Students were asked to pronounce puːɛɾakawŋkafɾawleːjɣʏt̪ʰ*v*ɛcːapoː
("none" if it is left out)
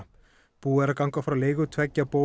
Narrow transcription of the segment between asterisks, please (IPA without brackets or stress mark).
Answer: v